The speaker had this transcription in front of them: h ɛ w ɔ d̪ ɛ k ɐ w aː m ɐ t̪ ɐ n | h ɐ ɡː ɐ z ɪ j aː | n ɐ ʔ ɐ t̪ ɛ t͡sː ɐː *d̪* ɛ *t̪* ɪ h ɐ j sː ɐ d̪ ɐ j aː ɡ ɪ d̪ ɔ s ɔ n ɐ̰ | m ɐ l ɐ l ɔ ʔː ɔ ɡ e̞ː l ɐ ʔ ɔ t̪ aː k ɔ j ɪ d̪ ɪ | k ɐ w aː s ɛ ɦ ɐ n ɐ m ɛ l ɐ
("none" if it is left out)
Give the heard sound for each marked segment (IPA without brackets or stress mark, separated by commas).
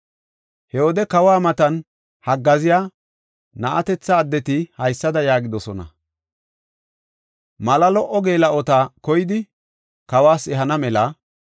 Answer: d̪ː, t̪